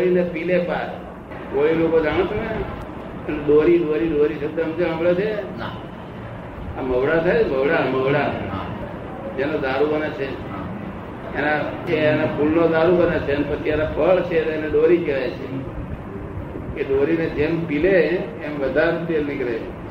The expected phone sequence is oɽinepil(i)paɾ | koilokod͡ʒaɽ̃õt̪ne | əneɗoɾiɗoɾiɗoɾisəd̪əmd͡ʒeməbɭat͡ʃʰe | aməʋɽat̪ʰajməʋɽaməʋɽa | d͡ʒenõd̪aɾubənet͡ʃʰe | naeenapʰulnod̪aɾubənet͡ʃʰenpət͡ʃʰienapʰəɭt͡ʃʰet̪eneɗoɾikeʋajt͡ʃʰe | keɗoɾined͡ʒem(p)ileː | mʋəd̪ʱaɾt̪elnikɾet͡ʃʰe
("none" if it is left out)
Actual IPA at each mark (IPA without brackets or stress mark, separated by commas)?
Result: e, p